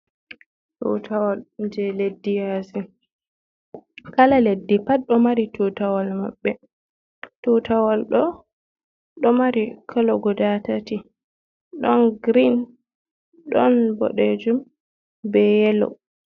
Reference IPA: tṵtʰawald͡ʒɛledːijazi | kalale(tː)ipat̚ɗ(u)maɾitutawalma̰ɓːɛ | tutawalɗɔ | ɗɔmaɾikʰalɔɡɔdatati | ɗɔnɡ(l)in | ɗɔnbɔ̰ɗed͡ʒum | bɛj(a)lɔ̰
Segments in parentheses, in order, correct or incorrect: incorrect: dː, incorrect: ɔ, incorrect: ɾ, incorrect: ɛ

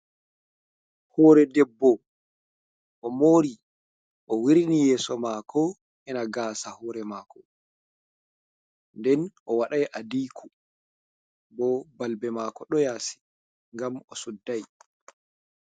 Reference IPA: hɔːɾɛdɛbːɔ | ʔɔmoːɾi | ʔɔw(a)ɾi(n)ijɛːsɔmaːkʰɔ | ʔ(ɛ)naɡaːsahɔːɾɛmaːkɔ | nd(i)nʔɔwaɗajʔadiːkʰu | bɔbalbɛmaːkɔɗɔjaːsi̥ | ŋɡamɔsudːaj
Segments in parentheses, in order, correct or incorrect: incorrect: i, correct, correct, incorrect: ɛ

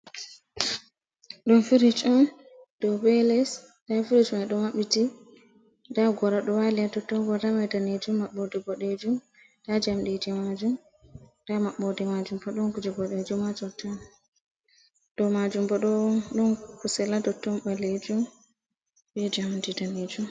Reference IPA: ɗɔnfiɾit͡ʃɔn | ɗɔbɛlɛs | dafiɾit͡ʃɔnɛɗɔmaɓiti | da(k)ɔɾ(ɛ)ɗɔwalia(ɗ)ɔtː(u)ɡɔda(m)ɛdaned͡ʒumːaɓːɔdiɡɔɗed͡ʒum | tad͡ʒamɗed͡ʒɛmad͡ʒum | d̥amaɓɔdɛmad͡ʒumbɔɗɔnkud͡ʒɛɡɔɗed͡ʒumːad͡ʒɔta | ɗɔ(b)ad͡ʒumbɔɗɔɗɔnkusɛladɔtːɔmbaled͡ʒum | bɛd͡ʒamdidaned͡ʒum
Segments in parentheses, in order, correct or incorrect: incorrect: ɡ, incorrect: a, incorrect: d, incorrect: ɔ, correct, incorrect: m

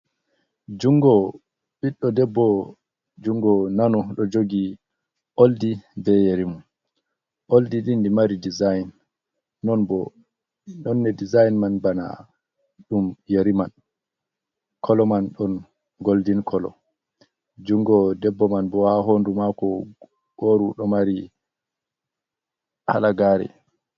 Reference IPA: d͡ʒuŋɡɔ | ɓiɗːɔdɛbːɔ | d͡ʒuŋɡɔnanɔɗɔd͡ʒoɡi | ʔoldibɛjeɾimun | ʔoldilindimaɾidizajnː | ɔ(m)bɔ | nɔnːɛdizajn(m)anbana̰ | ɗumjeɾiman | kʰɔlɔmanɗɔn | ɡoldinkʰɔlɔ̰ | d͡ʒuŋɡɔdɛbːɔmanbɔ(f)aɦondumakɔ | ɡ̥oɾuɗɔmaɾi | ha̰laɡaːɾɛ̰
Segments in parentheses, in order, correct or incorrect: incorrect: n, correct, incorrect: h

